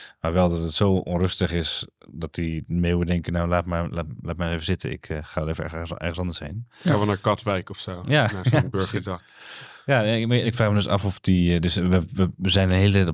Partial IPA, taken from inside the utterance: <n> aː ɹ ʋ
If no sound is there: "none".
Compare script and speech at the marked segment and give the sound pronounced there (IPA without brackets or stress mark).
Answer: m